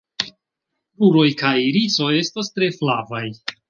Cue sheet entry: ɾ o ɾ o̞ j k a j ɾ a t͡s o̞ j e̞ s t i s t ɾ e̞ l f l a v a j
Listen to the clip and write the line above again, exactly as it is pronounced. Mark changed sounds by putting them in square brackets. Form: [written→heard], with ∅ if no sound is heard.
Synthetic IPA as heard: ɾ [o→u] ɾ o̞ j k a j ɾ [a→i] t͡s o̞ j e̞ s t [i→a] s t ɾ e̞ [l→∅] f l a v a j